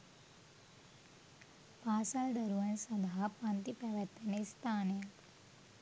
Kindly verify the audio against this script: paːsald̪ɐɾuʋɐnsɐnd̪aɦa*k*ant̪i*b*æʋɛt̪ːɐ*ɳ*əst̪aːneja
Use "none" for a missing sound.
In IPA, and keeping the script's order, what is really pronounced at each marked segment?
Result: p, p, n

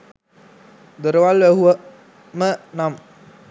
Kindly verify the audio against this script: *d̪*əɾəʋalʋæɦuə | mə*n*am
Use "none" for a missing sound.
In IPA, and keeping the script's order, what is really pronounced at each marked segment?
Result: d̪, n

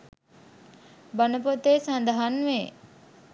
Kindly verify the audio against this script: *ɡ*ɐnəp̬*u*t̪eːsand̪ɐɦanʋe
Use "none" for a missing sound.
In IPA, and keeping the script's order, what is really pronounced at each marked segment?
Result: b, o

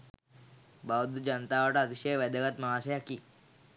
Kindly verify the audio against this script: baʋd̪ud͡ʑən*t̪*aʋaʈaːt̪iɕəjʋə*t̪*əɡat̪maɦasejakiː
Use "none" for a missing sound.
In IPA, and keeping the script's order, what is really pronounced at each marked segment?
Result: t̪, d̪

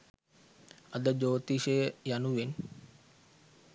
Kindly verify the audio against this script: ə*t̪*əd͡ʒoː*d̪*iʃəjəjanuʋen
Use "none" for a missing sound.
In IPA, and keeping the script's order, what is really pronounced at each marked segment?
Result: d̪, t̪

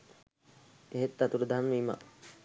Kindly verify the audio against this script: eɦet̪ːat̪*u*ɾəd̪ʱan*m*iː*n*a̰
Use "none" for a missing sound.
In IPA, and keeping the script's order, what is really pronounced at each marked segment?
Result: u, m, m

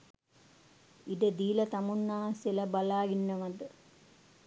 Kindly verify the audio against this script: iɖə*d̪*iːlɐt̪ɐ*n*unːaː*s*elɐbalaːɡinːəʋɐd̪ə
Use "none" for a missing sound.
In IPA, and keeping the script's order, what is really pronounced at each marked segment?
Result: d̪, m, s

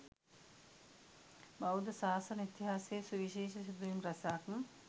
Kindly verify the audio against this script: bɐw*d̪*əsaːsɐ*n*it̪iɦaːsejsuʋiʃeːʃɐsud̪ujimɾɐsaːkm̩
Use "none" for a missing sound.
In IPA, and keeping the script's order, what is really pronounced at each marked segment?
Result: d̪, n

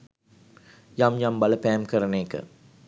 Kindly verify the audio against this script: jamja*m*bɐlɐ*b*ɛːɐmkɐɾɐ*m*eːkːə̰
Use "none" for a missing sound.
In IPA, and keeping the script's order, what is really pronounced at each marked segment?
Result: m, p, n

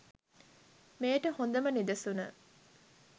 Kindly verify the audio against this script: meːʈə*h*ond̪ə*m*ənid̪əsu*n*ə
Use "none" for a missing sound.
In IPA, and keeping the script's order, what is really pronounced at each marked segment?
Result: h, m, n

